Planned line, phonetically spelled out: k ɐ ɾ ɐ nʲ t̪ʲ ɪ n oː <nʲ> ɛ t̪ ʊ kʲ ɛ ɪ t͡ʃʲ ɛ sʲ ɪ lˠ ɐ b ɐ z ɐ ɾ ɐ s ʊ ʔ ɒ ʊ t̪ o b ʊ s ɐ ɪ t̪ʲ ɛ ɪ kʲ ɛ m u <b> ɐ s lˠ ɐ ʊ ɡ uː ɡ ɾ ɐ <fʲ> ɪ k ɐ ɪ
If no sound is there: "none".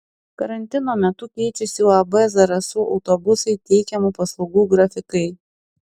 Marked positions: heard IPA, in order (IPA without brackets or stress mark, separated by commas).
mʲ, p, fʲ